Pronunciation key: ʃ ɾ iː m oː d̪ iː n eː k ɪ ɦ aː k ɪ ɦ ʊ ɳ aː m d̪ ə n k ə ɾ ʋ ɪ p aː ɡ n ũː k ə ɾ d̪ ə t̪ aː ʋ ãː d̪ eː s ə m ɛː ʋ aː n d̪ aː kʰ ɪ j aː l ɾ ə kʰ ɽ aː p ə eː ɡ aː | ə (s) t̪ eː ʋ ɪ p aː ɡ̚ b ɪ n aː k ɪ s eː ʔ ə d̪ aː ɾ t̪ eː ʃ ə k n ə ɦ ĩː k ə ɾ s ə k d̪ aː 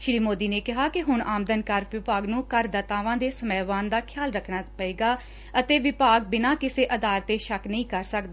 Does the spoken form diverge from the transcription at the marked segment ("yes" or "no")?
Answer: yes